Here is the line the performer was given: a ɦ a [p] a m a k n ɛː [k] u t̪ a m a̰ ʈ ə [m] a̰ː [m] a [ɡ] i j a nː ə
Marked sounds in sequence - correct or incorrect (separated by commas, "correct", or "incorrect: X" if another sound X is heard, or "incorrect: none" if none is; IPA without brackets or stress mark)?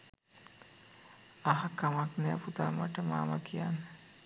incorrect: k, incorrect: p, correct, correct, incorrect: k